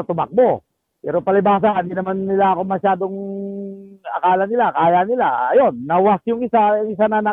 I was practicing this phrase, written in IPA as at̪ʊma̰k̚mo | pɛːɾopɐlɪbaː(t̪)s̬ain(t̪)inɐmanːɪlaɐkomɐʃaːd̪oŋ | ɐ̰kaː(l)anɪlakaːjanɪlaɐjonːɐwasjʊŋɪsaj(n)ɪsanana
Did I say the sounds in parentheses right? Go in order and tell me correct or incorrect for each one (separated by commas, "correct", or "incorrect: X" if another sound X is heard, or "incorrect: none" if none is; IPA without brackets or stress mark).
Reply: incorrect: none, incorrect: d̪, correct, incorrect: ŋ